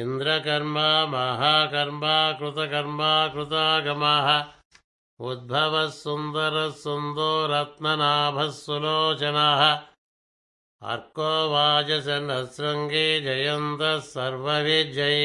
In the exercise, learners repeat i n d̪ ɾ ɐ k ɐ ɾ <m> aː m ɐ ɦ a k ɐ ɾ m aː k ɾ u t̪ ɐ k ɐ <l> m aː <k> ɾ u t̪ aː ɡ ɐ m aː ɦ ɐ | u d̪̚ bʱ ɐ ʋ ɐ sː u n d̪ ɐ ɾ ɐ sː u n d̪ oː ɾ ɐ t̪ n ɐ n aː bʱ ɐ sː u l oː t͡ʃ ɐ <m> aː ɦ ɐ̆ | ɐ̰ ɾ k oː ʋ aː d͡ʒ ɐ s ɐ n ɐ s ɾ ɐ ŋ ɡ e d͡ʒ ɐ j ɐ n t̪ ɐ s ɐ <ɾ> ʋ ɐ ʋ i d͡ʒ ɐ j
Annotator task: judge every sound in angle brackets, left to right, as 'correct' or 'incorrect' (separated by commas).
correct, incorrect, correct, incorrect, correct